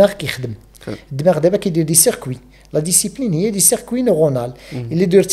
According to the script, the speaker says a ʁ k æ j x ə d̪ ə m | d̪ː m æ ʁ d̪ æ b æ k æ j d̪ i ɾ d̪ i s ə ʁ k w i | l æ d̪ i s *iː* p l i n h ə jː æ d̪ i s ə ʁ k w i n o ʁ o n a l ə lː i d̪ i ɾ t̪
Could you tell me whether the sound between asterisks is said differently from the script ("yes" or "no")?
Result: yes